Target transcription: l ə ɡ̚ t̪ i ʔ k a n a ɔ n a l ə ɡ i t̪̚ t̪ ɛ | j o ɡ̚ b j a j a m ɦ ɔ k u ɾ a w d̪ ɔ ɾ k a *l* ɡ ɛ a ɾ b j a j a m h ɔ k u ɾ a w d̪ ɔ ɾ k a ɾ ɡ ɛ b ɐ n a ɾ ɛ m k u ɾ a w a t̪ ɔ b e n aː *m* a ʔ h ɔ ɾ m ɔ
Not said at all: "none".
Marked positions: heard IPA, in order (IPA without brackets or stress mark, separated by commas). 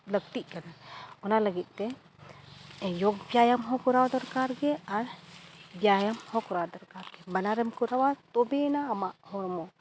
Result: ɾ, m